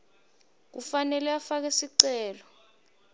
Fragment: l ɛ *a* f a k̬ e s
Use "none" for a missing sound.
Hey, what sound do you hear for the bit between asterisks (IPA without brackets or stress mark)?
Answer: a